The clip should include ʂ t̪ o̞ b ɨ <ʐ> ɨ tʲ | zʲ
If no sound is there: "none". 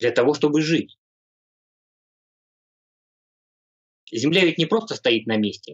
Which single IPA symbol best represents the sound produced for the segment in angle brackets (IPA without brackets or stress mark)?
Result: ʐ